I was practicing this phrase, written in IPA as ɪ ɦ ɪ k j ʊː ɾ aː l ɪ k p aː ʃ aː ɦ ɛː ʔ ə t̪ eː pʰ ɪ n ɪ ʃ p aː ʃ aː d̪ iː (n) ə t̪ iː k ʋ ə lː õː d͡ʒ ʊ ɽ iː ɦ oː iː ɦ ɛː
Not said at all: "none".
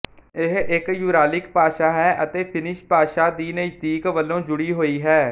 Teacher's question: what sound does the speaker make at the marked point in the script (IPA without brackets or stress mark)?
n